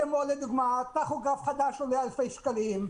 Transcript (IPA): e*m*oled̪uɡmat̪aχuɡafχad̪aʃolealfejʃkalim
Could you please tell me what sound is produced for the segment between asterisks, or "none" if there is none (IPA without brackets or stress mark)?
m